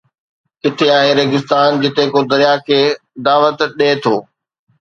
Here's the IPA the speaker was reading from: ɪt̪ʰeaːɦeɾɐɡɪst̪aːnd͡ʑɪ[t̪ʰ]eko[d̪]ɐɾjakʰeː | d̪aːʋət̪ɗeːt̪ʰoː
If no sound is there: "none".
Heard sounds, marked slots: t̪, d̪

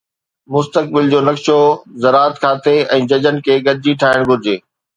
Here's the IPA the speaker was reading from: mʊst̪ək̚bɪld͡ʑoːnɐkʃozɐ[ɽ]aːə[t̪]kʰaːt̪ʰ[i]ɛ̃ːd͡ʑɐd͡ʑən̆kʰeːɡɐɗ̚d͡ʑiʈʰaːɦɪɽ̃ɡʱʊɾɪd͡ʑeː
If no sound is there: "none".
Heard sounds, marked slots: ɾ, t̪, e

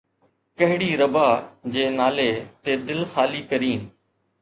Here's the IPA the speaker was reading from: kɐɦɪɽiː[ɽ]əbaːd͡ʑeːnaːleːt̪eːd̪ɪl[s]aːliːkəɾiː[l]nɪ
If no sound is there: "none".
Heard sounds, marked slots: ɾ, x, none

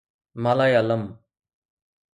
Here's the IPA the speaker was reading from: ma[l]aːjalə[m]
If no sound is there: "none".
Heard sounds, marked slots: l, m

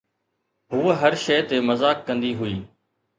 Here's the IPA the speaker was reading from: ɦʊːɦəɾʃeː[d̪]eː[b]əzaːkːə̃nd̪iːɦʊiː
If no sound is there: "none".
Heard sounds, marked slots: t̪, m

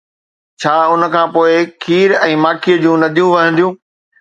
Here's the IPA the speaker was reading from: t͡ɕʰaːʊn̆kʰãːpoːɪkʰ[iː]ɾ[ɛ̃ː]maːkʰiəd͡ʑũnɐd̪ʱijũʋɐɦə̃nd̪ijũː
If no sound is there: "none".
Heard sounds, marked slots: iː, ɛ̃ː

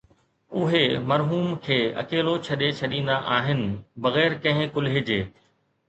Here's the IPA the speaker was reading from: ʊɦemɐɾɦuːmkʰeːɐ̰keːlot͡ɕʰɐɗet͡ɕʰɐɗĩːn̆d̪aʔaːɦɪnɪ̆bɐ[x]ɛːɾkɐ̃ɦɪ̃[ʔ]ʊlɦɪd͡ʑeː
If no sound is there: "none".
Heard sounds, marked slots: ɣ, k

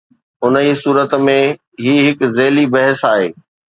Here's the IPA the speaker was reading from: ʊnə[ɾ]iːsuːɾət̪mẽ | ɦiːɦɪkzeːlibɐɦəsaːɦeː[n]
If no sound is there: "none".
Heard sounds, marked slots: none, none

